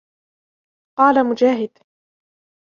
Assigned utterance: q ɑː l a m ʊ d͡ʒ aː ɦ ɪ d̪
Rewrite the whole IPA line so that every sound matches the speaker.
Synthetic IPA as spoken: q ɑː l a m ʊ d͡ʒ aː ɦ ɪ d̪